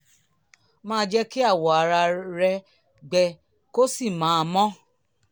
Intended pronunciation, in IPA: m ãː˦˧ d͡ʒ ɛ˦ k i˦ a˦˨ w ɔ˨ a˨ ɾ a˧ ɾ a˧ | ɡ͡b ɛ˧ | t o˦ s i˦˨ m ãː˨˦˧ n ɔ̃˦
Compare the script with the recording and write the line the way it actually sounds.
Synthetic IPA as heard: m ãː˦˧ d͡ʒ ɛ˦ k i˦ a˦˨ w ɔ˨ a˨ ɾ a˧ ɾ ɛ˧ | ɡ͡b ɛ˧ | k o˦ s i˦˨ m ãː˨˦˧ m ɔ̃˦